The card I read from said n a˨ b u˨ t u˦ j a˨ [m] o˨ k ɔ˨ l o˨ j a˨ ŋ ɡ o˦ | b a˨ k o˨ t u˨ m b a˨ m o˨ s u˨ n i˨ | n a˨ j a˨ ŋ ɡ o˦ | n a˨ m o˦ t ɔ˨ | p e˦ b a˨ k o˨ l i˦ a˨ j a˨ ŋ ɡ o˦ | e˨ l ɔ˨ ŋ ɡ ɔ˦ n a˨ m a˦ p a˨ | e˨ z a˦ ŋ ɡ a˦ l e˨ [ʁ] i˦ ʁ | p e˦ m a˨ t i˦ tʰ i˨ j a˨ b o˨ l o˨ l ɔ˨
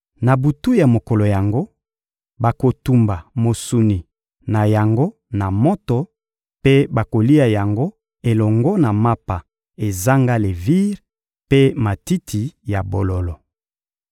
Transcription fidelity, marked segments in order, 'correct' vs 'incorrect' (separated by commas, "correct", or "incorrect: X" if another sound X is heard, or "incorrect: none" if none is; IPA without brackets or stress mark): correct, incorrect: v